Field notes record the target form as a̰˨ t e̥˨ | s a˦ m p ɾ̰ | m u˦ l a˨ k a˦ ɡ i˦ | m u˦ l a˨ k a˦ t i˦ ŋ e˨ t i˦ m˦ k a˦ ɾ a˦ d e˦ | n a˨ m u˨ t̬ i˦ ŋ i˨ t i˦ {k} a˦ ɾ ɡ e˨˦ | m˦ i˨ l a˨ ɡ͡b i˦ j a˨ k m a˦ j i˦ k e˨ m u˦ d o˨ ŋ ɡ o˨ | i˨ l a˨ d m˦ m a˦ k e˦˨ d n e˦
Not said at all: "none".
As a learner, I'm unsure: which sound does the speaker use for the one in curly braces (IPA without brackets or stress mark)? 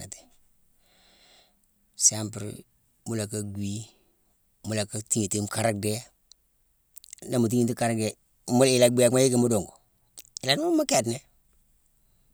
k